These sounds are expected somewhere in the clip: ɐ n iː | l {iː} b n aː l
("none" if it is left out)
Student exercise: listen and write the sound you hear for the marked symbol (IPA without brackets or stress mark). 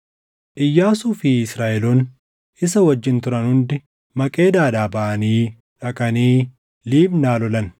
iː